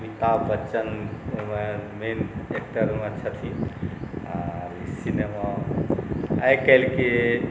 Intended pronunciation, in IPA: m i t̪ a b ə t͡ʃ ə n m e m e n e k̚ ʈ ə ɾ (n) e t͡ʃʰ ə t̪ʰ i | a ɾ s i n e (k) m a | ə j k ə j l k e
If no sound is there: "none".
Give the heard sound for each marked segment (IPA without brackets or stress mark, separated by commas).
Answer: m, none